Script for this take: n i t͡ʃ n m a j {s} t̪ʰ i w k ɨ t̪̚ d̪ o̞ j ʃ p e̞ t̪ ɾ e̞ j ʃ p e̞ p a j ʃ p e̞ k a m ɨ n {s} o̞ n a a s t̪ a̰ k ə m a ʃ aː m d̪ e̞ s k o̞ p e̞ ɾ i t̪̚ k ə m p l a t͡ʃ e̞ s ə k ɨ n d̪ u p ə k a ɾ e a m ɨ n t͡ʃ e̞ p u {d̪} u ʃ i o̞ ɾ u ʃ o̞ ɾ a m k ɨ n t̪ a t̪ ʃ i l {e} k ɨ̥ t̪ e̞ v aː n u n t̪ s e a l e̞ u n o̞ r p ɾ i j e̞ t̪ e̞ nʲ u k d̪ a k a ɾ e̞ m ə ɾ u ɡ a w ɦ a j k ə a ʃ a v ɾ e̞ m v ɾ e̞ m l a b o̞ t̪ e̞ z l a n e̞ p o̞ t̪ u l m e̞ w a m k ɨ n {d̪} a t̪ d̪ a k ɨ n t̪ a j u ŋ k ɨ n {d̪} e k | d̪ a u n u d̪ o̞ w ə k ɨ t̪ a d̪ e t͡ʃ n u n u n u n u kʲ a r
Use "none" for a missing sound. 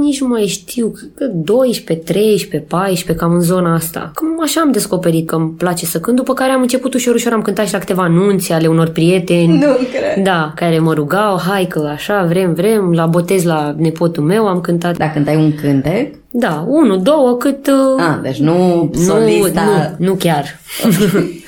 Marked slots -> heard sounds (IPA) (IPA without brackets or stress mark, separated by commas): ʃ, z, t̪, a, t̪, t̪